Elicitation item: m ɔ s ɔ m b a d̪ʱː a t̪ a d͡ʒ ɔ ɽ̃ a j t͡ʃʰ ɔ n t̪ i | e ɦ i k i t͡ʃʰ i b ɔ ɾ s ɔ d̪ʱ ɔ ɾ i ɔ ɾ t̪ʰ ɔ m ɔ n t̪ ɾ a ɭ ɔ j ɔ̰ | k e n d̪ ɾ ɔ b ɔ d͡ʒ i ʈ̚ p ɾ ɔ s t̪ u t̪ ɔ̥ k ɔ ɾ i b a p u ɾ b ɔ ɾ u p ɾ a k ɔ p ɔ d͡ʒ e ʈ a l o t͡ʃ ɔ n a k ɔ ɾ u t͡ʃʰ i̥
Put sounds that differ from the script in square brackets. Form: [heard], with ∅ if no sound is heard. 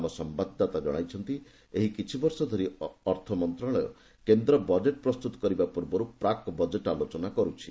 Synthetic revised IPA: m ɔ s ɔ m b a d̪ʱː a t̪ a d͡ʒ ɔ ɽ̃ a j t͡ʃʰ ɔ n t̪ i | e ɦ i k i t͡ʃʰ i b ɔ ɾ s ɔ d̪ʱ ɔ ɾ i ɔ ɾ t̪ʰ ɔ m ɔ n t̪ ɾ a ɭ ɔ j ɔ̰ | k e n d̪ ɾ ɔ b ɔ d͡ʒ [e] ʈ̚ p ɾ ɔ s t̪ u t̪ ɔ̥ k ɔ ɾ i b a p u ɾ b ɔ ɾ u p ɾ a k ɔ [b] ɔ d͡ʒ e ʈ a l o t͡ʃ ɔ n a k ɔ ɾ u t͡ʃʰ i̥